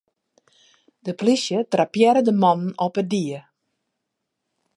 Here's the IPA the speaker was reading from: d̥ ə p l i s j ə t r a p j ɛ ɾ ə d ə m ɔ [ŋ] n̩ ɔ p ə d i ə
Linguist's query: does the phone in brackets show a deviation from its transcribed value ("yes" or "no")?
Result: yes